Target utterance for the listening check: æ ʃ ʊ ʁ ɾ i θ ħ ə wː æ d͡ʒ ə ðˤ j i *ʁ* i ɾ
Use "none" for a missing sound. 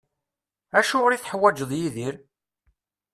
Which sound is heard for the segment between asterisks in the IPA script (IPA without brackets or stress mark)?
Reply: ð